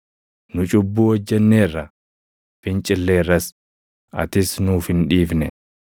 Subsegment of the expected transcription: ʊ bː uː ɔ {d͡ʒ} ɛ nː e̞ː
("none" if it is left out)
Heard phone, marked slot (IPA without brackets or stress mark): d͡ʒː